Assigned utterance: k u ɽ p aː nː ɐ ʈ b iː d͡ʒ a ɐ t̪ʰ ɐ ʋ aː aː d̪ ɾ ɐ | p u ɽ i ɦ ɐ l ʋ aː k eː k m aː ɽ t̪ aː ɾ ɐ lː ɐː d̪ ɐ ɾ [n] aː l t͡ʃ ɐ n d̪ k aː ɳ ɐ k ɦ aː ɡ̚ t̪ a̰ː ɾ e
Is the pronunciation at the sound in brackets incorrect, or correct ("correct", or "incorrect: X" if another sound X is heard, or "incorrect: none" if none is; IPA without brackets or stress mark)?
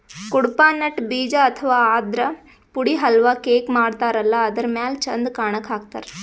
incorrect: m